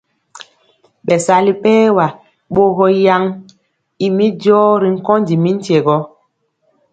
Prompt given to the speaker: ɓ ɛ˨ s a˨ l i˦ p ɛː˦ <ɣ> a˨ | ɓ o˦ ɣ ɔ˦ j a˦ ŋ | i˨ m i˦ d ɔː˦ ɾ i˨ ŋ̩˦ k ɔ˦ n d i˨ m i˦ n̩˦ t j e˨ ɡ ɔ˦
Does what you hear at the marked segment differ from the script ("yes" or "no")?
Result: yes